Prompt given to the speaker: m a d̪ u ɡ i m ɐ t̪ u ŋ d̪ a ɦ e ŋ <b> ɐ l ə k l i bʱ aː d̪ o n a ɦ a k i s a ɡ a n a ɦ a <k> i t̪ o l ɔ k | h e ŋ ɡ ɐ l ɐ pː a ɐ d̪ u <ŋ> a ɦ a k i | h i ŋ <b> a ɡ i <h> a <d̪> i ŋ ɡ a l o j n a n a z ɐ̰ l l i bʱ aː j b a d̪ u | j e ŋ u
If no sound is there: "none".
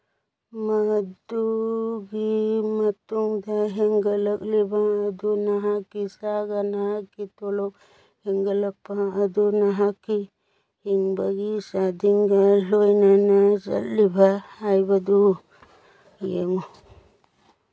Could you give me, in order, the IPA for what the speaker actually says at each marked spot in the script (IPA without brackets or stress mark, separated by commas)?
ɡ, k, n, b, s, d̪